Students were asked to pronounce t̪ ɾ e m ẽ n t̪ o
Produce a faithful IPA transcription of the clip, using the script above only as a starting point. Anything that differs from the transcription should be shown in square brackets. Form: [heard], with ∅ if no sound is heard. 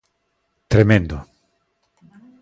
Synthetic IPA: t̪ ɾ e m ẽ n [d̪] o